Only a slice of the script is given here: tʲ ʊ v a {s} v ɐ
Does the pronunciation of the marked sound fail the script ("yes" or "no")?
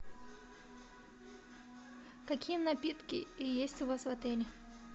no